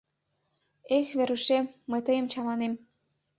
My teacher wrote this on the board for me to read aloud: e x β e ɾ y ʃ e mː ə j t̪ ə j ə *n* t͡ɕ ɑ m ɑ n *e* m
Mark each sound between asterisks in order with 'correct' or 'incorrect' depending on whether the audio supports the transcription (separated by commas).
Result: incorrect, correct